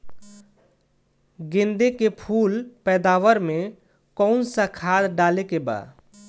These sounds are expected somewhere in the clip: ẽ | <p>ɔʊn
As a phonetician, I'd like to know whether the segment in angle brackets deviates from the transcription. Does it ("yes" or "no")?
yes